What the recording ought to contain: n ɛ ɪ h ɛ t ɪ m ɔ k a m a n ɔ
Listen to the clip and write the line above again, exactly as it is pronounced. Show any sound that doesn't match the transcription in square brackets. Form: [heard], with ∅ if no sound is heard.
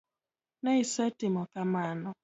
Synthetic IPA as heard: n ɛ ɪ [s] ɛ t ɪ m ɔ k a m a n ɔ